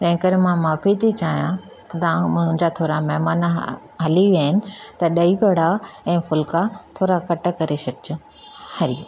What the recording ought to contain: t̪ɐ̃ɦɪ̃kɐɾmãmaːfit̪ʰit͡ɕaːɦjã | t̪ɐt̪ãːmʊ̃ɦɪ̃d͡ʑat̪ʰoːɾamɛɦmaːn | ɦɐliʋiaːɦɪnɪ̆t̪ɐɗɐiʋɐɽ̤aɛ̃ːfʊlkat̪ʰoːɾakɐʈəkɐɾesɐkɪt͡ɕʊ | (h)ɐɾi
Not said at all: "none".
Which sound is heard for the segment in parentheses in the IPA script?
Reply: h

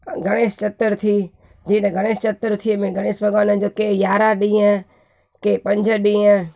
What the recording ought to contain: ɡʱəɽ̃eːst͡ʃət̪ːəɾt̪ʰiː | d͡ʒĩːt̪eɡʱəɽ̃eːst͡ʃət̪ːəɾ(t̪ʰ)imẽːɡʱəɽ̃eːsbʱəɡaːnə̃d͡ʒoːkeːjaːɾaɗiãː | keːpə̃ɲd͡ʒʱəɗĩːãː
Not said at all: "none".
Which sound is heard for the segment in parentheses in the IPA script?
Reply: t̪ʰ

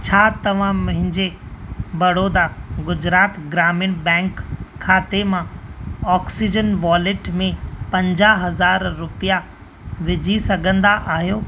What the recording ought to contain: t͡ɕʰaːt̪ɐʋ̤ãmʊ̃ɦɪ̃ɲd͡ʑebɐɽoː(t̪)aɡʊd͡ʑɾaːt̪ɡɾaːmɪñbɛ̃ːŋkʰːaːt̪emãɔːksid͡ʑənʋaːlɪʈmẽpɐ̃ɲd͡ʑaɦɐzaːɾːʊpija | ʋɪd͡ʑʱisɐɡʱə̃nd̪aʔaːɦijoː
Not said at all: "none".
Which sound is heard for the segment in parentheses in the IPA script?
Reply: d̪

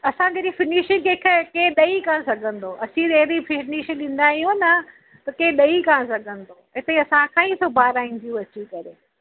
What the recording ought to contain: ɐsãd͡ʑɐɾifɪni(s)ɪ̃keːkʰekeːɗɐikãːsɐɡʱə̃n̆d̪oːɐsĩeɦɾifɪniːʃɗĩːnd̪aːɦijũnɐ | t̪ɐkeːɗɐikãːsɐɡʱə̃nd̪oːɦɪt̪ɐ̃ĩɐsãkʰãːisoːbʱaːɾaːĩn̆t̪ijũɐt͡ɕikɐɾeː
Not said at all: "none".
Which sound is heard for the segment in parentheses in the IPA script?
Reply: ʃ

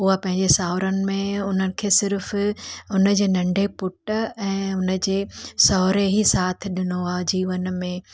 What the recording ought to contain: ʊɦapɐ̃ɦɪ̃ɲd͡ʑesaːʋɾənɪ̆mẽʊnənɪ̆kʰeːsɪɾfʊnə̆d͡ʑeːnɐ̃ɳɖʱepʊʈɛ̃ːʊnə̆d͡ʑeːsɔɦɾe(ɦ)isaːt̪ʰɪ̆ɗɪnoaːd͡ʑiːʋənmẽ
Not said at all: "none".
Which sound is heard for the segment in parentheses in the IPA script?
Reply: ɦ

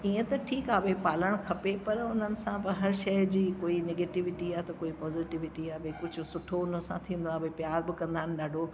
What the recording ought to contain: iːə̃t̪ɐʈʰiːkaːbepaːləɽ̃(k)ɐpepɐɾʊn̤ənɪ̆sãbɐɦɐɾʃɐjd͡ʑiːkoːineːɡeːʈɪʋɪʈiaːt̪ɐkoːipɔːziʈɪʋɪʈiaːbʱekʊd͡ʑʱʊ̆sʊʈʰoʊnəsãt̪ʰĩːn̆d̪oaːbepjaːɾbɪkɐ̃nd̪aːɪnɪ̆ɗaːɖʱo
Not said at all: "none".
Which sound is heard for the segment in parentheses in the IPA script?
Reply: kʰ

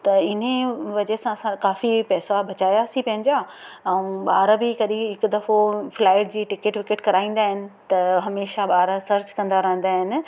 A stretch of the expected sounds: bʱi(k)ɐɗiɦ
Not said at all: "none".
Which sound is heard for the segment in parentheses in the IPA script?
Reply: k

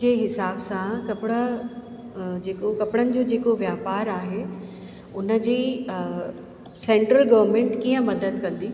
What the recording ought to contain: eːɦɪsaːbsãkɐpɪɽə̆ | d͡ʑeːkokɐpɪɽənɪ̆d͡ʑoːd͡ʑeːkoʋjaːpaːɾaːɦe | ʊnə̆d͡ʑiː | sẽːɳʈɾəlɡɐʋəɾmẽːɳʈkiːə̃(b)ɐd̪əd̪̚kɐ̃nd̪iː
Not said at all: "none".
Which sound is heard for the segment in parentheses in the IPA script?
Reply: m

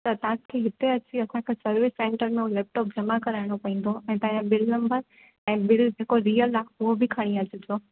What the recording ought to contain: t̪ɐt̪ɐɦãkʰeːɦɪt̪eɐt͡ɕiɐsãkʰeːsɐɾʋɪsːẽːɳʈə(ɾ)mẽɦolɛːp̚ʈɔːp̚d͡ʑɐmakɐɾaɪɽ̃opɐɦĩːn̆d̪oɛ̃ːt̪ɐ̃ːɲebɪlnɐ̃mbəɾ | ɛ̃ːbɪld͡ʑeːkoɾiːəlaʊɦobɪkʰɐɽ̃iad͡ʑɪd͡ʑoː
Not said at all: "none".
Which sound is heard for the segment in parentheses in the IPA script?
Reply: ɾ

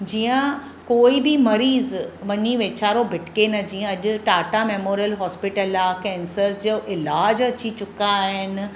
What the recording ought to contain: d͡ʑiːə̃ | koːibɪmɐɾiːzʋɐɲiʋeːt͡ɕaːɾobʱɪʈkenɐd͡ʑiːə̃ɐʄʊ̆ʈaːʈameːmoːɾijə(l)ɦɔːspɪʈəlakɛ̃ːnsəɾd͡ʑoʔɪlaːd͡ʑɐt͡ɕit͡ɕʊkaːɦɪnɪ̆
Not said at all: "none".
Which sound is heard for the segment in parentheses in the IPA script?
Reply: l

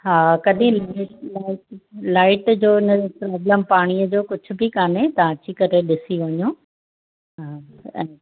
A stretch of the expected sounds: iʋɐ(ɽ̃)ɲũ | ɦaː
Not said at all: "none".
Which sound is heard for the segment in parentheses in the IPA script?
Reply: none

